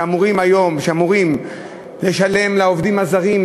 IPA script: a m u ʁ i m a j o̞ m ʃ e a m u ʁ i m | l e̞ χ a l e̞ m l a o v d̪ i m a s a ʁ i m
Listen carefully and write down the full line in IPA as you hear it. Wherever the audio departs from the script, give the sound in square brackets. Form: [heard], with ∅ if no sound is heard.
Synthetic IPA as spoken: a m u ʁ i m a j o̞ m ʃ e a m u ʁ i m | l e̞ [ʃ] a l e̞ m l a o v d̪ i m a [z] a ʁ i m